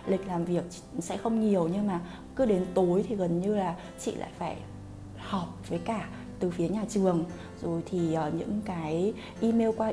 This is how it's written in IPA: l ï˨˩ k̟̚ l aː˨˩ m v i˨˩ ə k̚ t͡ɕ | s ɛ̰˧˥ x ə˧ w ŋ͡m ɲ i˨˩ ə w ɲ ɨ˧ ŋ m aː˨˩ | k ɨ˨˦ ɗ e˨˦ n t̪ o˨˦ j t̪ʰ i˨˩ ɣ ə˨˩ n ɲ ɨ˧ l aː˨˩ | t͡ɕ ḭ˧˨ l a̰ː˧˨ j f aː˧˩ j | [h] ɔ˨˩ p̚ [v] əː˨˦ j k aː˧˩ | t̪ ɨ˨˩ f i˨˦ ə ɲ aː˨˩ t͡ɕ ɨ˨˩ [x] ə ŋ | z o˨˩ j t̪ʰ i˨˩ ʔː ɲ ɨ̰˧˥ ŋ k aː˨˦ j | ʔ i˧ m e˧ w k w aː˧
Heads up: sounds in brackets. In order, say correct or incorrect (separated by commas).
correct, correct, incorrect